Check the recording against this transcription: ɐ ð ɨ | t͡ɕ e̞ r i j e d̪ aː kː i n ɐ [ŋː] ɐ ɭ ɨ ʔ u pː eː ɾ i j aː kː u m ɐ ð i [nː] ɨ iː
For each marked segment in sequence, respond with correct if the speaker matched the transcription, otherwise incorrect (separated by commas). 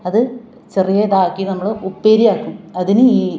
incorrect, incorrect